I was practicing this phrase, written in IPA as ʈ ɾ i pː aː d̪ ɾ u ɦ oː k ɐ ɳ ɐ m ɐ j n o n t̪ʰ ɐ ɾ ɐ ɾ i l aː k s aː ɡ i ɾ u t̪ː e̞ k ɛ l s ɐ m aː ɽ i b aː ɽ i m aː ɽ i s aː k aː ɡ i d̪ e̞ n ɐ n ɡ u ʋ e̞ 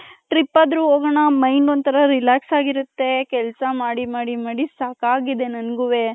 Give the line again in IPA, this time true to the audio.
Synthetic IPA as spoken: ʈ ɾ i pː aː d̪ ɾ u ɦ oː ɡ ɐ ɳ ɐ m ɐ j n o n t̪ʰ ɐ ɾ ɐ ɾ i l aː k s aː ɡ i ɾ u t̪ː e̞ k ɛ l s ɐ m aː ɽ i m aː ɽ i m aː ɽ i s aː k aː ɡ i d̪ e̞ n ɐ n ɡ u ʋ e̞